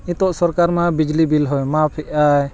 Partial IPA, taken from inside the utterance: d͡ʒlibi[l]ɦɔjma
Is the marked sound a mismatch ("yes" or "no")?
no